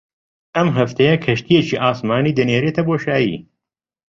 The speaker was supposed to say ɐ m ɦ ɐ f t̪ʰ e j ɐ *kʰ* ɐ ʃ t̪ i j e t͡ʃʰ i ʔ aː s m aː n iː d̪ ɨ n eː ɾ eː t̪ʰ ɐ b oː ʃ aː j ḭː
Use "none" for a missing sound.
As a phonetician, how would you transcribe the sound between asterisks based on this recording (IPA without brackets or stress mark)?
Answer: kʰ